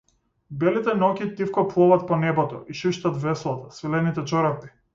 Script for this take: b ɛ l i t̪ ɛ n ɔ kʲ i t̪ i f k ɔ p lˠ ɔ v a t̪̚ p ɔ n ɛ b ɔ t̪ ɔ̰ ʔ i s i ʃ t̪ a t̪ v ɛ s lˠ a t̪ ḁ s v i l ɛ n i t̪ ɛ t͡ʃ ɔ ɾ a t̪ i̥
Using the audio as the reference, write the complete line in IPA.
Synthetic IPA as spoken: b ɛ l i t̪ ɛ n ɔ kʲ i t̪ i f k ɔ p lˠ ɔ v a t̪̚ p ɔ n ɛ b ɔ t̪ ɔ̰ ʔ i ʃ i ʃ t̪ a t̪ v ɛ s lˠ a t̪ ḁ s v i l ɛ n i t̪ ɛ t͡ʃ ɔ ɾ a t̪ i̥

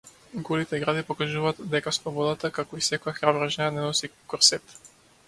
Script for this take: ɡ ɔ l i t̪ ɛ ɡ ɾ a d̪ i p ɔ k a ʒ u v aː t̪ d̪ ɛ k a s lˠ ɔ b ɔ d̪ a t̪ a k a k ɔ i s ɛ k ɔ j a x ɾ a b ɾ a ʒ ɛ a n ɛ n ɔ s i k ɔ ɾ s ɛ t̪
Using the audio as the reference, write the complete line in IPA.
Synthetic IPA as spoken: ɡ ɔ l i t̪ ɛ ɡ ɾ a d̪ i p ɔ k a ʒ u v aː t̪ d̪ ɛ k a s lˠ ɔ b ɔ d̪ a t̪ a k a k ɔ i s ɛ k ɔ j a x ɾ a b ɾ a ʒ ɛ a n ɛ n ɔ s i k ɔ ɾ s ɛ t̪

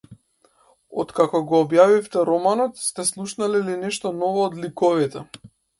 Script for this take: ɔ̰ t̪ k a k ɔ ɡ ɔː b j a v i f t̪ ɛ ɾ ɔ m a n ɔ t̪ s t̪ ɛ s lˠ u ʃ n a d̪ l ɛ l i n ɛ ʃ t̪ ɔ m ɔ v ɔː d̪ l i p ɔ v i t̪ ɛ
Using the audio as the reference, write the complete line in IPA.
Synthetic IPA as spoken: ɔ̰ t̪ k a k ɔ ɡ ɔː b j a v i f t̪ ɛ ɾ ɔ m a n ɔ t̪ s t̪ ɛ s lˠ u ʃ n a l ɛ l i n ɛ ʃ t̪ ɔ n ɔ v ɔː d̪ l i k ɔ v i t̪ ɛ

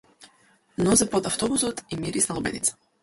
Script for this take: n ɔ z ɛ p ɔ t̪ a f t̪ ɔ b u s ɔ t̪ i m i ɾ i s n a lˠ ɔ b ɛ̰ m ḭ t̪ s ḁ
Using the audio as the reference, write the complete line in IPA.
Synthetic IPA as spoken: n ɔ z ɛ p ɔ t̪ a f t̪ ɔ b u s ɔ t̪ i m i ɾ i s n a lˠ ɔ b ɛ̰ n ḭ t̪ s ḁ

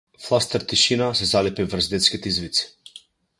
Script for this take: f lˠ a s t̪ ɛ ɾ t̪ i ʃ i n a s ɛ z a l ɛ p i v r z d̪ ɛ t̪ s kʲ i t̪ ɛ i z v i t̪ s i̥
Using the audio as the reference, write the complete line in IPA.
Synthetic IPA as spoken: f lˠ a s t̪ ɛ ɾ t̪ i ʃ i n a s ɛ z a l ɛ p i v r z d̪ ɛ t̪ s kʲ i t̪ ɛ i z v i t̪ s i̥

